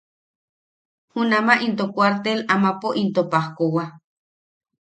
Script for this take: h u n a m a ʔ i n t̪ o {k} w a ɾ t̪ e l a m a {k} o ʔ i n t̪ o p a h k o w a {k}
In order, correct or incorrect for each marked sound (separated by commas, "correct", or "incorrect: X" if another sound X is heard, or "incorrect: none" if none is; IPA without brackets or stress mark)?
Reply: correct, incorrect: p, incorrect: none